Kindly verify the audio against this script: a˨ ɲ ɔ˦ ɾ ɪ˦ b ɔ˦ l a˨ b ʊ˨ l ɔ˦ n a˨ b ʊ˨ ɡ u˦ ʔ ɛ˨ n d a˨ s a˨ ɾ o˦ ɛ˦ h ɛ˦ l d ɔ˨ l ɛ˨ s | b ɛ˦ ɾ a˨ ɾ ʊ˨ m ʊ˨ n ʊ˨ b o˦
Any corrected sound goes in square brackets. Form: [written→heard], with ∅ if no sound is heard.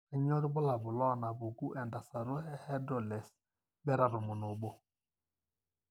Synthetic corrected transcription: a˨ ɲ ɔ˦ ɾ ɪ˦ b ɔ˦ l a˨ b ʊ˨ l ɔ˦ n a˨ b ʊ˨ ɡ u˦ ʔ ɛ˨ n d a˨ s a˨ ɾ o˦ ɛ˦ h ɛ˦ [l→∅] d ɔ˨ l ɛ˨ s | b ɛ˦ ɾ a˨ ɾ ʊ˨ m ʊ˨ n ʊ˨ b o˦